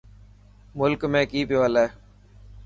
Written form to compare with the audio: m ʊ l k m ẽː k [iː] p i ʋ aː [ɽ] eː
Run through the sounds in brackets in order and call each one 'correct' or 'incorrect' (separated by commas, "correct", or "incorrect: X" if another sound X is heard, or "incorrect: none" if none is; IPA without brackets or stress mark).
correct, incorrect: l